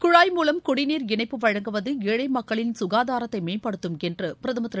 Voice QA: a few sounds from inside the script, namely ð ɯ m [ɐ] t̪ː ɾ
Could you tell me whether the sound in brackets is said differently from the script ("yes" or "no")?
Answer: no